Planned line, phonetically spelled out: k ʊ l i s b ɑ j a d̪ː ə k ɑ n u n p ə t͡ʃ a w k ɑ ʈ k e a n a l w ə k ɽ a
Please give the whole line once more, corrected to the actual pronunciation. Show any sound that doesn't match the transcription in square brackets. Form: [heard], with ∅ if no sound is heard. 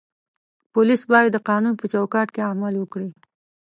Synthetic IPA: [p] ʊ l i s b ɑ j a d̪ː ə [q] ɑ n u n p ə t͡ʃ a w k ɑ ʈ k e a [m] a l w ə k ɽ [i]